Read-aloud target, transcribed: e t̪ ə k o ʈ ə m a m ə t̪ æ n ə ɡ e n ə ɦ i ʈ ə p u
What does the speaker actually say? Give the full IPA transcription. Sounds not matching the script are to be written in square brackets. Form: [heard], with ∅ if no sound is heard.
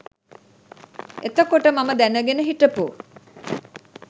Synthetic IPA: e t̪ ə k o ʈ ə m a m ə [d̪] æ n ə ɡ e n ə ɦ i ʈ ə p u